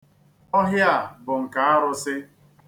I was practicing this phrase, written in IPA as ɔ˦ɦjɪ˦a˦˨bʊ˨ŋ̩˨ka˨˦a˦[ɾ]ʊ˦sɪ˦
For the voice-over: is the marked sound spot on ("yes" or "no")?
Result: yes